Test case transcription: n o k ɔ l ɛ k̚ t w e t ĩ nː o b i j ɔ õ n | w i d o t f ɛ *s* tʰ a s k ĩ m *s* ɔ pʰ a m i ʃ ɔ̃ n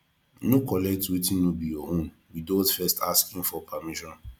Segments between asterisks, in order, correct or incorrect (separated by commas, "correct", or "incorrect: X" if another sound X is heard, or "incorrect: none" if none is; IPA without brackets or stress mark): correct, incorrect: f